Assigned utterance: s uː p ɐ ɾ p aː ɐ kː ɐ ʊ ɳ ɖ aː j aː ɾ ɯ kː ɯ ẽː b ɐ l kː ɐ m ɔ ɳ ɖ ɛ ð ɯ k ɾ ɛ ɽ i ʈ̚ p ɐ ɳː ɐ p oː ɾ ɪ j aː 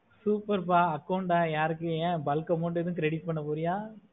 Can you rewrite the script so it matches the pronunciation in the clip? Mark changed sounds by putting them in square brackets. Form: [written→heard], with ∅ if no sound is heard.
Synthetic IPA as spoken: s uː p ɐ ɾ p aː ɐ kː ɐ ʊ ɳ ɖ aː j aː ɾ ɯ kː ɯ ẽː b ɐ l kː ɐ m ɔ ɳ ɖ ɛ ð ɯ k ɾ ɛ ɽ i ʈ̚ p ɐ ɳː ɐ p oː ɾ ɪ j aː

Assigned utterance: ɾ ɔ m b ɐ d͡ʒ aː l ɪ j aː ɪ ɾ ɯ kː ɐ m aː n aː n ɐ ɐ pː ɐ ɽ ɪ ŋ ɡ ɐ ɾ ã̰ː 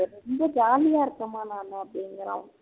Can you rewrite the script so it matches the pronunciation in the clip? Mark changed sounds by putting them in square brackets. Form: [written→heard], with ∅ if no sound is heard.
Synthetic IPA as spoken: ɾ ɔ m b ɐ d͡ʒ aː l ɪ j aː ɪ ɾ ɯ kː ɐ m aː n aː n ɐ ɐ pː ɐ ɽ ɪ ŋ ɡ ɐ ɾ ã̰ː

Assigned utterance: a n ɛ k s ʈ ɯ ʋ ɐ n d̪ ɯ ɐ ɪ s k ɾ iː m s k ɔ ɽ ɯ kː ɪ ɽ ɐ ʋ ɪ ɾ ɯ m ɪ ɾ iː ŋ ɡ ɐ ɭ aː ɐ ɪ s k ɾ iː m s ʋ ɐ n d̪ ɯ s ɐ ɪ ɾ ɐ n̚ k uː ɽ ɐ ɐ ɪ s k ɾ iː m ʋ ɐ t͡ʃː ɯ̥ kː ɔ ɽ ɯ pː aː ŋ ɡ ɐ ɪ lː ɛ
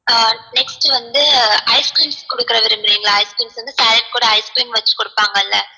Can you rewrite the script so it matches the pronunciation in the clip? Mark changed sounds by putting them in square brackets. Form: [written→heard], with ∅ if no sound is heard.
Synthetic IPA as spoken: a n ɛ k s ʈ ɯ ʋ ɐ n d̪ ɯ ɐ ɪ s k ɾ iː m s k ɔ ɽ ɯ kː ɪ [ɽ→ɾ] ɐ ʋ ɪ ɾ ɯ m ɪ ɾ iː ŋ ɡ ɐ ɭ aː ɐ ɪ s k ɾ iː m s ʋ ɐ n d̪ ɯ s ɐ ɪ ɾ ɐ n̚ k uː ɽ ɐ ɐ ɪ s k ɾ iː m ʋ ɐ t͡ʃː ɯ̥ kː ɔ ɽ ɯ pː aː ŋ ɡ ɐ ɪ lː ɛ

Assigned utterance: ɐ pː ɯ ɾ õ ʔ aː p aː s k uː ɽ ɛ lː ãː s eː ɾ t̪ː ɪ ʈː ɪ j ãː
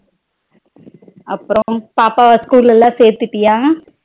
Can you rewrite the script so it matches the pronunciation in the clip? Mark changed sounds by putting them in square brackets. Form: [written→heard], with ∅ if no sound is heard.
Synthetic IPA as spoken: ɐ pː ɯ ɾ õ [ʔ→p] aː p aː s k uː [ɽ→l] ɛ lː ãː s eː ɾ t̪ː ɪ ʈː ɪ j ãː

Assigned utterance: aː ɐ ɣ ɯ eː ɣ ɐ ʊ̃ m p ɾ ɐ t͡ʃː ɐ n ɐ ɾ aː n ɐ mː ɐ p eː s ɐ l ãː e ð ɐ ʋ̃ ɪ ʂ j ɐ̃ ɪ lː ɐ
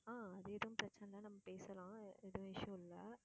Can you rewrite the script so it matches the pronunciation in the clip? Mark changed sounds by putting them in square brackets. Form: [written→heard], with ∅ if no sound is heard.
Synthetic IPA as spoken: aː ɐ [ɣ→ð] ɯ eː [ɣ→ð] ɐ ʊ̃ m p ɾ ɐ t͡ʃː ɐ n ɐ [ɾ→l] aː n ɐ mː ɐ p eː s ɐ l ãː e ð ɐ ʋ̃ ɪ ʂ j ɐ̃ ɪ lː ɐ

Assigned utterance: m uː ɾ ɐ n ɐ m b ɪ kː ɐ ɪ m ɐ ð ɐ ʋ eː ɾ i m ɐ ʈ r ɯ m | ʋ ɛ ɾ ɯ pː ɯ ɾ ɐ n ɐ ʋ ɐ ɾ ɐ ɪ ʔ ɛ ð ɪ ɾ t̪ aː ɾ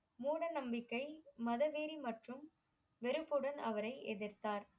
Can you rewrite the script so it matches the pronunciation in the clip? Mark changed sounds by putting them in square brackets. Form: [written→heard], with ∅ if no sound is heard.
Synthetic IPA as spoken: m uː [ɾ→ɽ] ɐ n ɐ m b ɪ kː ɐ ɪ m ɐ ð ɐ ʋ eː ɾ i m ɐ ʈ r ɯ m | ʋ ɛ ɾ ɯ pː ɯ [ɾ→ɽ] ɐ n ɐ ʋ ɐ ɾ ɐ ɪ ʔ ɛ ð ɪ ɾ t̪ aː ɾ

